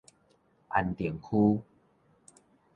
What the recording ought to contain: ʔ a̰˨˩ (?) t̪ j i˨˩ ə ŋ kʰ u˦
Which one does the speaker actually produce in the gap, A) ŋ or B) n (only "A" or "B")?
B